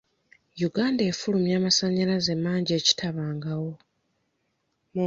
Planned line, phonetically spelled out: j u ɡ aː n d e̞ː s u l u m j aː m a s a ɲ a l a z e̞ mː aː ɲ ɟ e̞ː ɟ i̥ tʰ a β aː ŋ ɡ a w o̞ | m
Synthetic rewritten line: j u ɡ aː n d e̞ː f u l u m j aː m a s a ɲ a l a z e̞ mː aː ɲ ɟ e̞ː c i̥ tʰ a β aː ŋ ɡ a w o̞ | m